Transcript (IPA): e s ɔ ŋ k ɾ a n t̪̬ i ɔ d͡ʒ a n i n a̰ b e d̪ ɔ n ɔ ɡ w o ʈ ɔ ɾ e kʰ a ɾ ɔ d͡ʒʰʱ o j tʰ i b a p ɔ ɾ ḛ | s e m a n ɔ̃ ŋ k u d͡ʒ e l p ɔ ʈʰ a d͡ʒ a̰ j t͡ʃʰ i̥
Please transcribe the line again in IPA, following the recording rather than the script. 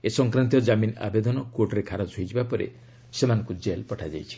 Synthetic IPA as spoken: e s ɔ ŋ k ɾ a n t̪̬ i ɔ d͡ʒ a m i n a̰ b e d̪ ɔ n ɔ k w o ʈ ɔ ɾ e kʰ a ɾ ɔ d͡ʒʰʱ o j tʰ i b a p ɔ ɾ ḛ | s e m a n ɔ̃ ŋ k u d͡ʒ e l p ɔ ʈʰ a d͡ʒ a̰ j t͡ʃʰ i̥